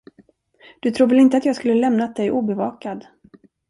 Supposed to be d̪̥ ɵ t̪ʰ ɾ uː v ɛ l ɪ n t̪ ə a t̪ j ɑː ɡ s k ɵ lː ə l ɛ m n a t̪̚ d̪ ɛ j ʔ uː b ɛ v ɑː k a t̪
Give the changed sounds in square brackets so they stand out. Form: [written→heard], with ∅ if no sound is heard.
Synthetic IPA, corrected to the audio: d̪̥ ɵ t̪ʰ ɾ uː v ɛ l ɪ n t̪ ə a t̪ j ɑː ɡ s k ɵ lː ə l ɛ m n a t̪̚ d̪ ɛ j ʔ uː b ɛ v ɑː k a [t̪→d̪]